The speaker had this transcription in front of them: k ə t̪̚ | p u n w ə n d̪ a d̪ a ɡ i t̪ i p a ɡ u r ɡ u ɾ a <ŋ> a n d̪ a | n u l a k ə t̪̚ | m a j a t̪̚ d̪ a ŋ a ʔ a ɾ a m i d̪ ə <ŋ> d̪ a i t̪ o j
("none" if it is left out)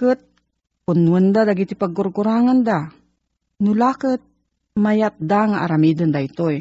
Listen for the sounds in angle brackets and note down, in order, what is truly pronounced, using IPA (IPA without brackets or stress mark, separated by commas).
ŋ, n